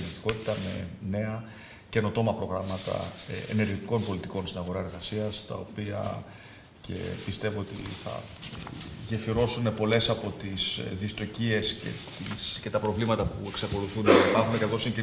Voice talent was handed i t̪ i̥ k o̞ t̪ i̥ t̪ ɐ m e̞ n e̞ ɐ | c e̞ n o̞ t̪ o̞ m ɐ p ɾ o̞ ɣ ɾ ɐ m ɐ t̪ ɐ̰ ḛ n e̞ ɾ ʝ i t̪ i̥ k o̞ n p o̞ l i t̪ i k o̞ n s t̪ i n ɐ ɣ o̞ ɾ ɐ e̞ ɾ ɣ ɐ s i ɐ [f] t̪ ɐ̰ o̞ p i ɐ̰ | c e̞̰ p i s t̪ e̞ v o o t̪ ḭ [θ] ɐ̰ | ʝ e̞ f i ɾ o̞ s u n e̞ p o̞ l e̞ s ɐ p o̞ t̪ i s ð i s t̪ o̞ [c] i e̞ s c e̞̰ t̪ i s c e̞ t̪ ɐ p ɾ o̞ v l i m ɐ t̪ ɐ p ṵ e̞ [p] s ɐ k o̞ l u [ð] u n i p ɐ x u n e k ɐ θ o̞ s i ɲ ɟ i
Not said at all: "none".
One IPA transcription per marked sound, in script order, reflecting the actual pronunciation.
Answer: s, θ, c, k, θ

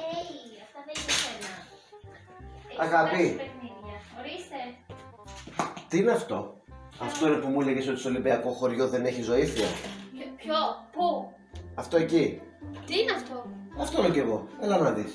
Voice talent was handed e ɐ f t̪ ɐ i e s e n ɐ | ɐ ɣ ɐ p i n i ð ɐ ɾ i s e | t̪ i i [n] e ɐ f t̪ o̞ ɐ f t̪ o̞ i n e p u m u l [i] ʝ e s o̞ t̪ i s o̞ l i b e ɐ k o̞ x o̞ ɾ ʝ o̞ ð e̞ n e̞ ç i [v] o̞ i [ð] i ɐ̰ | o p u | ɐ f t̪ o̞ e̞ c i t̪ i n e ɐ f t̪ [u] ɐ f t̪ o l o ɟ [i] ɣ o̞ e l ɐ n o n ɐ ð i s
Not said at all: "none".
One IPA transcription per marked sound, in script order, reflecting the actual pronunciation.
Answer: n, e, z, θ, o, e

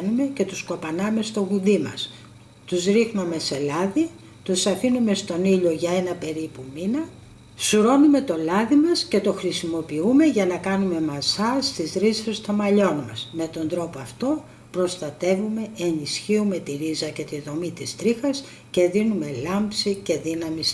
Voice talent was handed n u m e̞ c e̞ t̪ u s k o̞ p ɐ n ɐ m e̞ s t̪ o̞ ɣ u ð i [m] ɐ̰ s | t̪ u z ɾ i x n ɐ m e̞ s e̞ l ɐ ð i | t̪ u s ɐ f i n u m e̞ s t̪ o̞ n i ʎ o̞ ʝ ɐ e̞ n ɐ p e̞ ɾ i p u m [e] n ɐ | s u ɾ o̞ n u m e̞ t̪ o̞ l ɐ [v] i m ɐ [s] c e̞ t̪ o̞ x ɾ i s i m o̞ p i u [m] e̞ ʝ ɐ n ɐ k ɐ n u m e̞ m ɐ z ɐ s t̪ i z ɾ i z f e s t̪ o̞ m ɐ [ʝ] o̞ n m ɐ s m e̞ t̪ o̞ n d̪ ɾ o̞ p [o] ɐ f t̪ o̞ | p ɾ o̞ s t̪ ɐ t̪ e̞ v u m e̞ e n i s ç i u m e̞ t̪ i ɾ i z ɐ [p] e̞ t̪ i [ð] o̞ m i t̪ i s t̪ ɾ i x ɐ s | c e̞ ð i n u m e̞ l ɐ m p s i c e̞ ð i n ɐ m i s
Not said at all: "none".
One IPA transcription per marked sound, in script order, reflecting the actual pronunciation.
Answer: m, i, ð, s, m, ʎ, o, c, ð

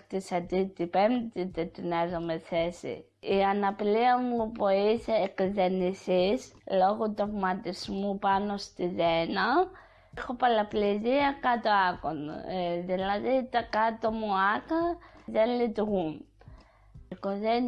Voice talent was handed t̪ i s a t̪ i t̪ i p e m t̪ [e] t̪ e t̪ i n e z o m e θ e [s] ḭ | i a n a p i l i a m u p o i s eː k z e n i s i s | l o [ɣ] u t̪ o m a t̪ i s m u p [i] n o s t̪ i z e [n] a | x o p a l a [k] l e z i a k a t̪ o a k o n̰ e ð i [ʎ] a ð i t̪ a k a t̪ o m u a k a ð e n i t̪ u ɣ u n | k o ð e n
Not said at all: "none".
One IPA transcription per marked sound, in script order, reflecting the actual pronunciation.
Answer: i, s, ɣ, a, n, p, l

